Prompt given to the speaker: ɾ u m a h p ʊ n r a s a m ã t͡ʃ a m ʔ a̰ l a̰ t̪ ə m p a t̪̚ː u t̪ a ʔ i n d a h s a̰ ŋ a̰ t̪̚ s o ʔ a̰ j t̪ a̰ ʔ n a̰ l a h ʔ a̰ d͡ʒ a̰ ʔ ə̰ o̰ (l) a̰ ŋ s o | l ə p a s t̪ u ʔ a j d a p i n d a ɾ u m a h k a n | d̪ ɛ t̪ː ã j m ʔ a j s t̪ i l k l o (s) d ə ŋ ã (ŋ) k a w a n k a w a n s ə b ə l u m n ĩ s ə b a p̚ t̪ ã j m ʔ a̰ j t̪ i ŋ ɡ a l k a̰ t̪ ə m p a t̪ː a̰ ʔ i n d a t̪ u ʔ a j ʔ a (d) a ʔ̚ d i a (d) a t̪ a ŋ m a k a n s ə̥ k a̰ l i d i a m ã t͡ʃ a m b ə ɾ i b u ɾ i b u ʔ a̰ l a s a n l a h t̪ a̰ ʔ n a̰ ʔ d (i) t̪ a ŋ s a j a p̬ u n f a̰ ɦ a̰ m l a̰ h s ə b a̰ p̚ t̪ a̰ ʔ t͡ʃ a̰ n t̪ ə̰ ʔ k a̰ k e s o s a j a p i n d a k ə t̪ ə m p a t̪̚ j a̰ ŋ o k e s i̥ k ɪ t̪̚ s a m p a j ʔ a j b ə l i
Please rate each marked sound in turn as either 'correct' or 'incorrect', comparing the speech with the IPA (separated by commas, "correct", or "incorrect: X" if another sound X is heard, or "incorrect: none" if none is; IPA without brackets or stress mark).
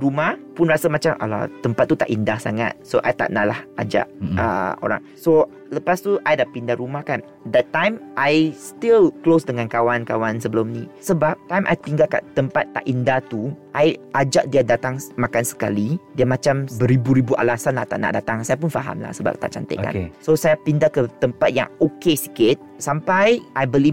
incorrect: ɾ, correct, incorrect: n, incorrect: d͡ʒ, correct, incorrect: a